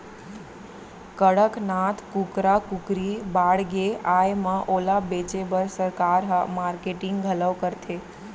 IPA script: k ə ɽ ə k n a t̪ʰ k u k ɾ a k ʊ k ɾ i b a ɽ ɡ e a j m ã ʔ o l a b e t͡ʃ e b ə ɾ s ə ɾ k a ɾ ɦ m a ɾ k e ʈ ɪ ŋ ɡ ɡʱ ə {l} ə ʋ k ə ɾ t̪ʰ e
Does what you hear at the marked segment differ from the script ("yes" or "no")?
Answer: no